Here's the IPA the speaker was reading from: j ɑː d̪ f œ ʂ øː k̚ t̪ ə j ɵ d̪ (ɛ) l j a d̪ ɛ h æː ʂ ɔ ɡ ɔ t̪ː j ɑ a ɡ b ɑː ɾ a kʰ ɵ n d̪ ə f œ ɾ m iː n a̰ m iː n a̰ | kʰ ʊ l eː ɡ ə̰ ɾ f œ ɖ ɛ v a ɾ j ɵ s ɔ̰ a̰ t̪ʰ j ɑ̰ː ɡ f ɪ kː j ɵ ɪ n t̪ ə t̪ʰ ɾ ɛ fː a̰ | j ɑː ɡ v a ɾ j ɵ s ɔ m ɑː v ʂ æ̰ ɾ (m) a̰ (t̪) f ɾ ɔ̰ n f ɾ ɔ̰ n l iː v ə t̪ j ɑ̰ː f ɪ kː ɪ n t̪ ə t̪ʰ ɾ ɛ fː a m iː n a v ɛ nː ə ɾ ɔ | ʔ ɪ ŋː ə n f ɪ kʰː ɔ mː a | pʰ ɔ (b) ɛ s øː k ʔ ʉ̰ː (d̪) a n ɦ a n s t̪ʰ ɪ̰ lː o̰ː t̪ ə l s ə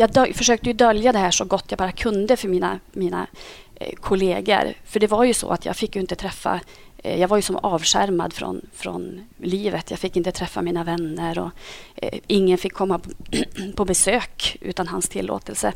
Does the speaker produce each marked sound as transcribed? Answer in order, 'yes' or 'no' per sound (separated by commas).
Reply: no, yes, no, yes, no